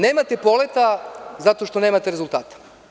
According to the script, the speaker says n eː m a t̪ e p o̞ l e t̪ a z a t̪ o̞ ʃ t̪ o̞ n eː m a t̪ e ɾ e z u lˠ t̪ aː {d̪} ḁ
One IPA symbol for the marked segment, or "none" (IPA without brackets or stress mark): t̪